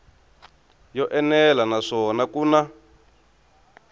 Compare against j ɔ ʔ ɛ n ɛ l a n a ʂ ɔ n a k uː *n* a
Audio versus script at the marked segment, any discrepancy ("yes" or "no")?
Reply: no